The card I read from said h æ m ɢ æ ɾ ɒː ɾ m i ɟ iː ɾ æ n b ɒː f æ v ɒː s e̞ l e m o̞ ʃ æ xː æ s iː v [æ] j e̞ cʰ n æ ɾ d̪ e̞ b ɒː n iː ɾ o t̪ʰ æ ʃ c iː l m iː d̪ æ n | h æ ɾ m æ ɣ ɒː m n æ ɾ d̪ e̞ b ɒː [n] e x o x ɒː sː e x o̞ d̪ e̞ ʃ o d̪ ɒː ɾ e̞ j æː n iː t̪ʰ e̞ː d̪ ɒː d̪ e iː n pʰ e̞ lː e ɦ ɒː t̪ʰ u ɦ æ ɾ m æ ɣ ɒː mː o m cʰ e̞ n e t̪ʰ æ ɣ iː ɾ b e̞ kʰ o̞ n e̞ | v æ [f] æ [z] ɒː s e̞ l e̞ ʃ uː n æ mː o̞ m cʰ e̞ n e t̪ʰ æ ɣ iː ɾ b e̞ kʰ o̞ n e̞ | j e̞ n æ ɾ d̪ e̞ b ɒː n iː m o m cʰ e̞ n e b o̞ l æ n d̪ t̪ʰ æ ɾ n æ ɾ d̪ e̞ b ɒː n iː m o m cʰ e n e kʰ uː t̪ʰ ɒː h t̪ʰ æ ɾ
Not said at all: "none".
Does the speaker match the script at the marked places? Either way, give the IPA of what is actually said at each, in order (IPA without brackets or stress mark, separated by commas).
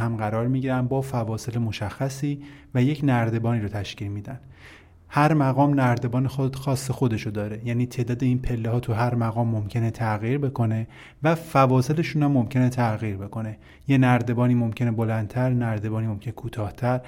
æ, n, f, v